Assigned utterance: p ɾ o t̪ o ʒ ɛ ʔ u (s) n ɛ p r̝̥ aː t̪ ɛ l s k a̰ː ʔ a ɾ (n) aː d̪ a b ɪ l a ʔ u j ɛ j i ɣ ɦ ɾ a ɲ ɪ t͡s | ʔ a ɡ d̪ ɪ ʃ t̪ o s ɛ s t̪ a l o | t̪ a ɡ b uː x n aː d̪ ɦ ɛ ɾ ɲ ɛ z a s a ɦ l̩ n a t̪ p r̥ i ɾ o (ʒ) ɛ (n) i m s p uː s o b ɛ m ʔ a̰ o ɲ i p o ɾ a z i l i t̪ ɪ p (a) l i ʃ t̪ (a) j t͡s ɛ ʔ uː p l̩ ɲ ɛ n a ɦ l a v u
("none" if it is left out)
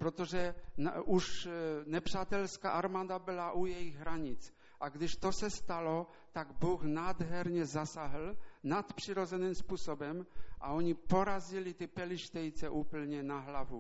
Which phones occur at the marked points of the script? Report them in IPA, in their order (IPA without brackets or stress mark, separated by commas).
ʃ, m, z, n, ɛ, ɛ